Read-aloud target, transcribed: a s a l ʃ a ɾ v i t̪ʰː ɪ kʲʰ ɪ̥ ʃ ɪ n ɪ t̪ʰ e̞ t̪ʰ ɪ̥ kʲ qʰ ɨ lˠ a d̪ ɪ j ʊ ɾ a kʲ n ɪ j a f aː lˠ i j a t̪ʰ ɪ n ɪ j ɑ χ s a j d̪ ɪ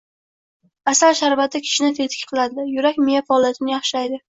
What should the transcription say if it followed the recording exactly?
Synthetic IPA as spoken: a s a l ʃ a ɾ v a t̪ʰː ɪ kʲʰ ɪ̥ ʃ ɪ n ɪ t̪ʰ e̞ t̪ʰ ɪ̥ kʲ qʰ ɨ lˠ a d̪ ɪ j ʊ ɾ a kʲ m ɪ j a f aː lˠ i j a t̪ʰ ɪ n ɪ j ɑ χ ʃ a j d̪ ɪ